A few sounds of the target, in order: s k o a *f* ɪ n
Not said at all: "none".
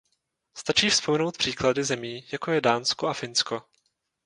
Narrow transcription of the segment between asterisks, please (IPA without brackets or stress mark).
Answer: f